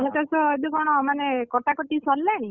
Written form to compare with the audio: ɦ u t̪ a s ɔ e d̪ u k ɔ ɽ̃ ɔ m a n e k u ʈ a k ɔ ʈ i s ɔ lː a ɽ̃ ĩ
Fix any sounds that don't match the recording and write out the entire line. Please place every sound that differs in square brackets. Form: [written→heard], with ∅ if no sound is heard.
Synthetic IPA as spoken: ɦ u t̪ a s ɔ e d̪ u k ɔ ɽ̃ ɔ m a n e k [u→ɔ] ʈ a k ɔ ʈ i s ɔ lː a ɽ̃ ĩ